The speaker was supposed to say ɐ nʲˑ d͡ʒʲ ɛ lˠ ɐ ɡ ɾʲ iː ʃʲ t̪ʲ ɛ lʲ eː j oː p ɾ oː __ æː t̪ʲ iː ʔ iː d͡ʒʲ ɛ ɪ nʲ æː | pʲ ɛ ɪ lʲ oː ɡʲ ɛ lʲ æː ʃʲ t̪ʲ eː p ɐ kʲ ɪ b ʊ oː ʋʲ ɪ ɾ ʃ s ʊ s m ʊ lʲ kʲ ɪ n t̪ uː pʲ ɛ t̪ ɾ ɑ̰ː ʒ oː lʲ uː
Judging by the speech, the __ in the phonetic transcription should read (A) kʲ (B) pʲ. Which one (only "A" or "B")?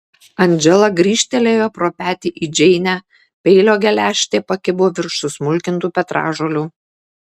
B